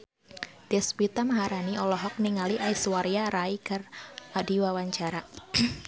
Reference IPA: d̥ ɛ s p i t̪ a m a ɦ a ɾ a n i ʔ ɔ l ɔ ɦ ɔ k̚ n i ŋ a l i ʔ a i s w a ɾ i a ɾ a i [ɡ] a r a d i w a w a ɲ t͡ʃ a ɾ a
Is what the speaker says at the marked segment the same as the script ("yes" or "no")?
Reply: no